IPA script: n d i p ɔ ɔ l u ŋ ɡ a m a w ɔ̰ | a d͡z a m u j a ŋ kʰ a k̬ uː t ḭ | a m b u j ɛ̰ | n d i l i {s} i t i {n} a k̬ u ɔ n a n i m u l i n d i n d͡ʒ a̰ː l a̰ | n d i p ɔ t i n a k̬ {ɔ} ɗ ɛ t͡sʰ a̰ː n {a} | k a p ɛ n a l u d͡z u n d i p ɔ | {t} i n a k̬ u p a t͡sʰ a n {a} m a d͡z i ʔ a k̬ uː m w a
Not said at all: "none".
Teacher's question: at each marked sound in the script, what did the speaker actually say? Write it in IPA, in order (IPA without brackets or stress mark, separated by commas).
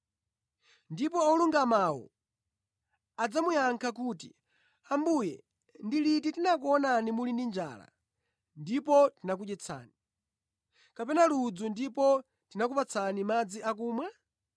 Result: t, n, u, i, t, i